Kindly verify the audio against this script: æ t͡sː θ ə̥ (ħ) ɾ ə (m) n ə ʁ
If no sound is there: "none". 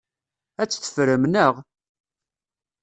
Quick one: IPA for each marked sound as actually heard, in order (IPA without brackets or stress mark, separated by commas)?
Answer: f, m